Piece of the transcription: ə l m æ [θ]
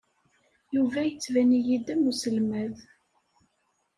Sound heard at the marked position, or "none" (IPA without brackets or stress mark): ð